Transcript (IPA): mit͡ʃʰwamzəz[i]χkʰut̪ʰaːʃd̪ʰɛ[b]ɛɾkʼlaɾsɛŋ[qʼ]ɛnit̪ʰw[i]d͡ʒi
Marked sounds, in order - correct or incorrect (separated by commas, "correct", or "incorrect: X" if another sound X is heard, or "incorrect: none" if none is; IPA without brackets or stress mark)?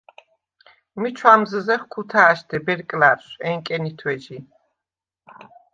incorrect: ɛ, correct, incorrect: kʼ, incorrect: ɛ